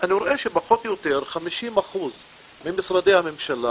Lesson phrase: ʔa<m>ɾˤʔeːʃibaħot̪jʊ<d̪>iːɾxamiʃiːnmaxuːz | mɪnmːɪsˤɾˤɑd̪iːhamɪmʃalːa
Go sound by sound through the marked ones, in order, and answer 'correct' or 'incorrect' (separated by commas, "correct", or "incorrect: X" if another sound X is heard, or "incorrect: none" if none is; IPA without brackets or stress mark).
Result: incorrect: n, incorrect: t̪